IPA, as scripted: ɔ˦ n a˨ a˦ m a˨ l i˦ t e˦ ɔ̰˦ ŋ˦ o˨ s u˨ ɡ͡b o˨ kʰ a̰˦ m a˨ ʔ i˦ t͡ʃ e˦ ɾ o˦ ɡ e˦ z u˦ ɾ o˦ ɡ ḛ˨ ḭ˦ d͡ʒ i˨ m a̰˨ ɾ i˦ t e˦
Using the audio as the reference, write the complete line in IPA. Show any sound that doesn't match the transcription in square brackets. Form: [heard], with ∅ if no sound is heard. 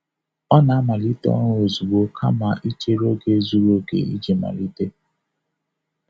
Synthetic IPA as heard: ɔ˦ n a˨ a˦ m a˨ l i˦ t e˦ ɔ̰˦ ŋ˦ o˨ [z] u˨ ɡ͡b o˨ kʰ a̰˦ m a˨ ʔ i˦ t͡ʃ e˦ ɾ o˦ ɡ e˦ z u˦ ɾ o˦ ɡ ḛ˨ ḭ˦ d͡ʒ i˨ m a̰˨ [l] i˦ t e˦